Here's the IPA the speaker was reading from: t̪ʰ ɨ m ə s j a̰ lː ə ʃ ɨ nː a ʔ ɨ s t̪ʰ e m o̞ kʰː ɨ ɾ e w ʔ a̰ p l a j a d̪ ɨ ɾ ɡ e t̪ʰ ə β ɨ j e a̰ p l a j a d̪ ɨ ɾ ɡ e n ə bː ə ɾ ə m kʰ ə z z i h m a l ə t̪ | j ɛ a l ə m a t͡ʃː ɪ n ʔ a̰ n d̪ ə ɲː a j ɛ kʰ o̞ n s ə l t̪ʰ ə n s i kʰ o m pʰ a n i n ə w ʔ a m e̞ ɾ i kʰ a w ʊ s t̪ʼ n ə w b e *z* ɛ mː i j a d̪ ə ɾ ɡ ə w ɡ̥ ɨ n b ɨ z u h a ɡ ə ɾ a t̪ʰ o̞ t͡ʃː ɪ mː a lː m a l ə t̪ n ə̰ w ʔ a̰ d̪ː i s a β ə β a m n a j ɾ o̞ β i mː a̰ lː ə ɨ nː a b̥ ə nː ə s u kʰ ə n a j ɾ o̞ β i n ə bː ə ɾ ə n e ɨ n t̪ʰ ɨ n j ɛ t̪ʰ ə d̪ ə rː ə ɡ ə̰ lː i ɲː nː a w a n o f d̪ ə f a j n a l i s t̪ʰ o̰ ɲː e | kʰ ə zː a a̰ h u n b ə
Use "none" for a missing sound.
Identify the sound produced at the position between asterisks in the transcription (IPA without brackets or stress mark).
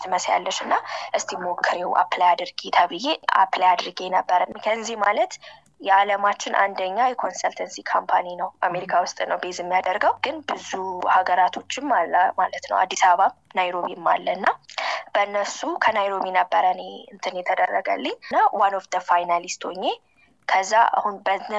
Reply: z